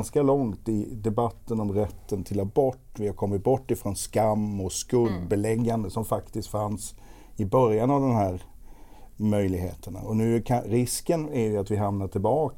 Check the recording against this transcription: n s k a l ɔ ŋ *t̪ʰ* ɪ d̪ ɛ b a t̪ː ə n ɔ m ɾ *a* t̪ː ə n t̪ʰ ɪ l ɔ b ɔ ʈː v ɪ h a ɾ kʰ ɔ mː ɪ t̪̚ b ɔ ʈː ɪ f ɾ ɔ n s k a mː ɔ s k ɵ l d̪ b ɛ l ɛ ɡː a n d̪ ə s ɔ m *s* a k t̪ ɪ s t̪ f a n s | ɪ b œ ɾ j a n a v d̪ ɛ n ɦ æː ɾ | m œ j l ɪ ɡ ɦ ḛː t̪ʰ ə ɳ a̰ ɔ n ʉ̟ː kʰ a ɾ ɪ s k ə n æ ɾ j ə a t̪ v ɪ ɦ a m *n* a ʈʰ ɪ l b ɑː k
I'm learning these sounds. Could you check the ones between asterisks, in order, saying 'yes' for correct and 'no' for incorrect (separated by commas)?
no, no, no, yes